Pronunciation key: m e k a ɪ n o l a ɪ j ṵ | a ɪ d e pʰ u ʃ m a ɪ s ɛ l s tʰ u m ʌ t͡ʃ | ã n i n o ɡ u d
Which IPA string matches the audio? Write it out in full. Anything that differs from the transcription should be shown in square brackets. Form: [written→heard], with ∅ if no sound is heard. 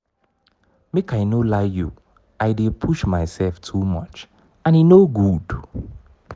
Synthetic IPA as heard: m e k a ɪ n o l a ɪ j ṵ | a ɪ d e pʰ u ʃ m a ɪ s ɛ l [s→f] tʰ u m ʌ t͡ʃ | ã n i n o ɡ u d